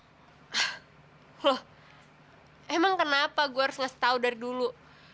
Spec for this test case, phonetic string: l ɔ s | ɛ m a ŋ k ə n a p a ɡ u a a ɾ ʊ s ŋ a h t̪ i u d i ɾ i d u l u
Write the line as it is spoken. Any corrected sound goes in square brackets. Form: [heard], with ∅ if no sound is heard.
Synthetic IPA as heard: l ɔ [h] | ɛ m a ŋ k ə n a p a ɡ u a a ɾ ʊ s ŋ a [s] t̪ [a] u d [a] ɾ i d u l u